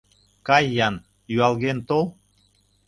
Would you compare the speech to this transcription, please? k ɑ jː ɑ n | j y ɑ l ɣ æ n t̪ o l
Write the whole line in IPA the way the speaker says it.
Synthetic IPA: k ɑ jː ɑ n | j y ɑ l ɣ e n t̪ o l